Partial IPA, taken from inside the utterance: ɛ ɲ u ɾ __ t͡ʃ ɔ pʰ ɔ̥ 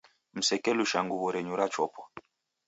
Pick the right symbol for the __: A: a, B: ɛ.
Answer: A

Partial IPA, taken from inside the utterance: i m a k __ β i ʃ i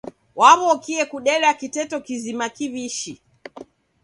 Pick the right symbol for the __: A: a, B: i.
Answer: B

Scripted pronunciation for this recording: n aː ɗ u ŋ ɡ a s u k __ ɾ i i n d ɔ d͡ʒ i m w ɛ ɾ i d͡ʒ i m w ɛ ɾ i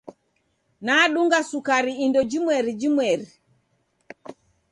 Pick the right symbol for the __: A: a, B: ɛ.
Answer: A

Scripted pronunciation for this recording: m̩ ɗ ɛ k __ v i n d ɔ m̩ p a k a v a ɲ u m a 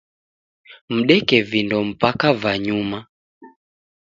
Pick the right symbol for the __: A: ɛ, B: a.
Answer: A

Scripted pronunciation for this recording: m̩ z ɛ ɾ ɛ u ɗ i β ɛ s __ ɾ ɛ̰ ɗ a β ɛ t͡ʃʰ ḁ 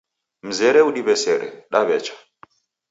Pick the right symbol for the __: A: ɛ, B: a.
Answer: A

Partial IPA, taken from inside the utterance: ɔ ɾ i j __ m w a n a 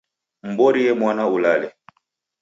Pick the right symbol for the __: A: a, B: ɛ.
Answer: B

